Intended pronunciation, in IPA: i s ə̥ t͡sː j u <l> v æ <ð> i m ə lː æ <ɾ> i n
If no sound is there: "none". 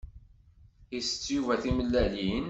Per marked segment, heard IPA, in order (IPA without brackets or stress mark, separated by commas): none, θ, l